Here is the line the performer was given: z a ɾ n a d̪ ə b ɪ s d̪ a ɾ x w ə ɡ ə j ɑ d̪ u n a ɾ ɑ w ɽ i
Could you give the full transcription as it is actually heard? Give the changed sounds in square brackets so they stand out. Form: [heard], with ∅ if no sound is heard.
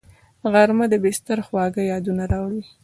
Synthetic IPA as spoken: [ɣ] a ɾ [m] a d̪ ə b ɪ s [t̪] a ɾ x w [ɑ] ɡ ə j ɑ d̪ u n a ɾ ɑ w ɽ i